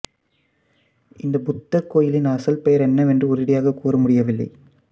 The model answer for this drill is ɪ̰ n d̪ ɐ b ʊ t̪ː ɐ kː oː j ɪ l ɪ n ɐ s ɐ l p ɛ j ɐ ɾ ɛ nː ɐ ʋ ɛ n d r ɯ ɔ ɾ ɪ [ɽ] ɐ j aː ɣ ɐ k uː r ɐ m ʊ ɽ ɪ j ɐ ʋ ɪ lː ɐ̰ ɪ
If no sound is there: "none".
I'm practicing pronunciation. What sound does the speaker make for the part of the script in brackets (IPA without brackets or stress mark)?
ɽ